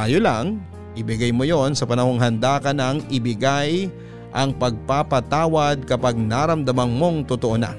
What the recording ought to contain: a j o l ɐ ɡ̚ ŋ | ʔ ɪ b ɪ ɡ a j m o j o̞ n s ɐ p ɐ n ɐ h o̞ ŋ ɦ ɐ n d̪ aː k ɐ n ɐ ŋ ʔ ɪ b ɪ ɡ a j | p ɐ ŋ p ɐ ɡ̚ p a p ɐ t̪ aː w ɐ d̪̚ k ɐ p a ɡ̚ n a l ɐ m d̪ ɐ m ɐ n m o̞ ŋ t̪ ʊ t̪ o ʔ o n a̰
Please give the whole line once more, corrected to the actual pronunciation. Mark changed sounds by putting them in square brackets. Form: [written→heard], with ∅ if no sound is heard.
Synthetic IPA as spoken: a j o l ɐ [ɡ̚→∅] ŋ | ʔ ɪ b ɪ ɡ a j m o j o̞ n s ɐ p ɐ n ɐ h o̞ ŋ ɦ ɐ n d̪ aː k ɐ n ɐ ŋ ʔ ɪ b ɪ ɡ a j | [p→ʔ] ɐ ŋ p ɐ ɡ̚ p a p ɐ t̪ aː w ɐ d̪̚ k ɐ p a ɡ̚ n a [l→ɾ] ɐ m d̪ ɐ m ɐ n m o̞ ŋ t̪ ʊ t̪ o ʔ o n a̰